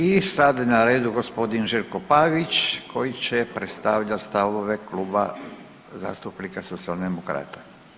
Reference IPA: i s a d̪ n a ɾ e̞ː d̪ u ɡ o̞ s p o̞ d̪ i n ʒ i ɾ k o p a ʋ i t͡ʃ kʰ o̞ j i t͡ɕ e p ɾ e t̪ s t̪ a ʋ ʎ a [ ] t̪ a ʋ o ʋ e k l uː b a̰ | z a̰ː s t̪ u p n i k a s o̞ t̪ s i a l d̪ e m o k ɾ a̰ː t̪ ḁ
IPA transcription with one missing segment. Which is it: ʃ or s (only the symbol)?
s